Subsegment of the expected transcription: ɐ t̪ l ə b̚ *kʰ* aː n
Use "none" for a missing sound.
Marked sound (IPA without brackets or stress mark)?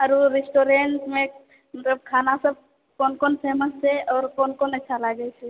kʰ